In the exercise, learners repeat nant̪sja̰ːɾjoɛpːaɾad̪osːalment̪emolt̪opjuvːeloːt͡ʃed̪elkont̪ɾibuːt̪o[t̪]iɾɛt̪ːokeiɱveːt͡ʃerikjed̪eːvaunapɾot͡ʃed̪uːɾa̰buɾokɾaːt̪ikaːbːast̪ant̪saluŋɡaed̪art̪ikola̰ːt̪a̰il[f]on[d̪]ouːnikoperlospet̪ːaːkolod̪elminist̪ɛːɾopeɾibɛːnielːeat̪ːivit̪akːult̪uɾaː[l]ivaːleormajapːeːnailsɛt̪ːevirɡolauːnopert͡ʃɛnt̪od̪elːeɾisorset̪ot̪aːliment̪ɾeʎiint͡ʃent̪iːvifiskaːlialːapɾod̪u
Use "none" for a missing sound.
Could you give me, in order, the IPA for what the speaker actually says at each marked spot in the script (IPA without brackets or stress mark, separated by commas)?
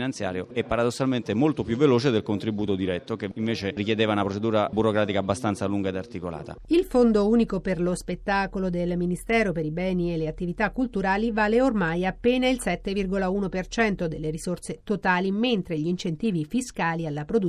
d̪, f, d̪, l